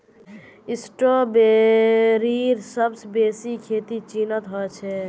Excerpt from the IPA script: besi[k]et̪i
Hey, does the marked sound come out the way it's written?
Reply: no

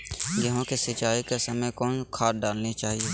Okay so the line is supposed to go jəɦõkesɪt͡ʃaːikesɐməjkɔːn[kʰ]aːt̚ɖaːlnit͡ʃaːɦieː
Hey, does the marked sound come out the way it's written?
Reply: yes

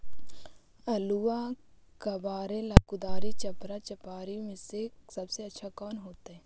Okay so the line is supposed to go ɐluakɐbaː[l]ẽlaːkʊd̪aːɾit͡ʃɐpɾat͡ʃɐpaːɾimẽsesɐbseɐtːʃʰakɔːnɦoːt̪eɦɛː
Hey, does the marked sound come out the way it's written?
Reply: no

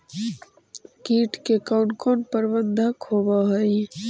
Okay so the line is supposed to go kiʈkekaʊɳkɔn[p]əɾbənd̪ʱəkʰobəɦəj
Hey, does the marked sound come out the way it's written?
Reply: yes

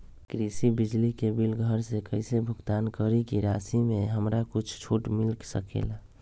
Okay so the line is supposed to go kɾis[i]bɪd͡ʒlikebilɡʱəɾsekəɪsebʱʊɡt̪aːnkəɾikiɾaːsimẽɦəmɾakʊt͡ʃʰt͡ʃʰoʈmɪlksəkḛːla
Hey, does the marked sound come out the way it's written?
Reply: yes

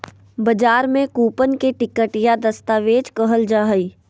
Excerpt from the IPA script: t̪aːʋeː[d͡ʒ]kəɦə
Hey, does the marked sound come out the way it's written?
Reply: yes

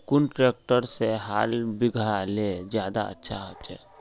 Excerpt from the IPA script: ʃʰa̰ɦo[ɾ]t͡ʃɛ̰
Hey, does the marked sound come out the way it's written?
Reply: no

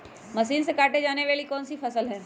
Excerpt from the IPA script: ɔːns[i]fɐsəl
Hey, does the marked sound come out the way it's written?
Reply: yes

